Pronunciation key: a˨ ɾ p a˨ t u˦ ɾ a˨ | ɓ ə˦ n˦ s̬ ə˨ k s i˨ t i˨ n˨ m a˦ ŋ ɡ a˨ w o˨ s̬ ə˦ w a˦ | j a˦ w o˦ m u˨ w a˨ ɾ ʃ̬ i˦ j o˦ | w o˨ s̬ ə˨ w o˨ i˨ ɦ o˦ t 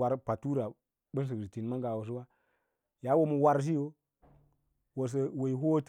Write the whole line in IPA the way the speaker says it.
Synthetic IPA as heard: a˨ ɾ p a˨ t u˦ ɾ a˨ | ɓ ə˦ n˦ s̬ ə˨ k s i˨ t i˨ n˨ m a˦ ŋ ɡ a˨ w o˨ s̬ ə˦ w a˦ | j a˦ w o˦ m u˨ w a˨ ɾ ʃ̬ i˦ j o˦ | w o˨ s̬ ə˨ w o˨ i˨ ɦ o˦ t

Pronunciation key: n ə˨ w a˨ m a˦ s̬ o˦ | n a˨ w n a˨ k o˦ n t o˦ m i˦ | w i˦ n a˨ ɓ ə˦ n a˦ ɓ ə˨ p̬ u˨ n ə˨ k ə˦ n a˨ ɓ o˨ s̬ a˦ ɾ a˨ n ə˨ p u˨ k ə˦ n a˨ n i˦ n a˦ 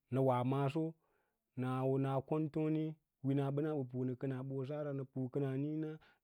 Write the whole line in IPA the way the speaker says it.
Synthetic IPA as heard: n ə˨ w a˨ m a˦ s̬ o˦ | n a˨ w n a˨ k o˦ n t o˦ n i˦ | w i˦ n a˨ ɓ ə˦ n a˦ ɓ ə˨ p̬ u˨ n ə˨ k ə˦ n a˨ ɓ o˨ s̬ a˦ ɾ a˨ n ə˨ p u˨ k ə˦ n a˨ n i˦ n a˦

